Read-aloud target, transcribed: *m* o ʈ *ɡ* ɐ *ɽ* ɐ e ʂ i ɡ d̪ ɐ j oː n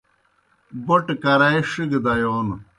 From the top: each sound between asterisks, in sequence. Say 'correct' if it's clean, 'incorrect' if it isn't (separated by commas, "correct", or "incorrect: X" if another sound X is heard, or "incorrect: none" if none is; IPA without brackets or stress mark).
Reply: incorrect: b, incorrect: k, incorrect: ɾ